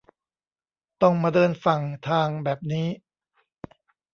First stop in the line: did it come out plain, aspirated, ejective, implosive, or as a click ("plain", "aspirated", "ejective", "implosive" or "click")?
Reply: plain